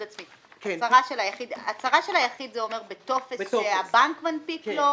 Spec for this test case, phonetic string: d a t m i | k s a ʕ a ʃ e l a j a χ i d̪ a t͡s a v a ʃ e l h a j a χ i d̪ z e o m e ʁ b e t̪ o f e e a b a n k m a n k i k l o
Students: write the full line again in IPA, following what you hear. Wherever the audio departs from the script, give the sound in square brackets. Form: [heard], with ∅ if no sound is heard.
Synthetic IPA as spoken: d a [t͡s] m i | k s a [ʁ] a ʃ e l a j a χ i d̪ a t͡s a [ʁ] a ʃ e l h a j a χ i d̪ z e o m e ʁ b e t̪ o f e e a b a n k m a n [p] i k l o